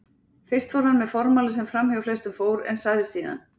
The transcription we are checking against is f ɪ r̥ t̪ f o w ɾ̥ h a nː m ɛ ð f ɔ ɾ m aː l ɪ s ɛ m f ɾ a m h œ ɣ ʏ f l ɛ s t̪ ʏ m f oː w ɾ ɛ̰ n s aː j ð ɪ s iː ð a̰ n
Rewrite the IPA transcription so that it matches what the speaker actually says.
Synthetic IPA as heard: f ɪ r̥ t̪ f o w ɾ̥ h a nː m ɛ ð f ɔ ɾ m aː l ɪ s ɛ m f ɾ a m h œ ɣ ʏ f l ɛ s t̪ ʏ m f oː w ɾ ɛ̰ n s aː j ð ɪ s iː ð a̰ n